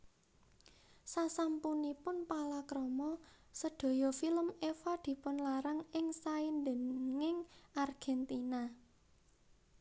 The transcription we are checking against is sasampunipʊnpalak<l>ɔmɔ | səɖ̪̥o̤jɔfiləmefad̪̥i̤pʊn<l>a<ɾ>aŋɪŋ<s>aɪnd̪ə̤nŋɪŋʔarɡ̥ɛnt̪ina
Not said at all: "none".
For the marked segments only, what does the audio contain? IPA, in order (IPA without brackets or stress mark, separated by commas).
ɾ, l, ɾ, s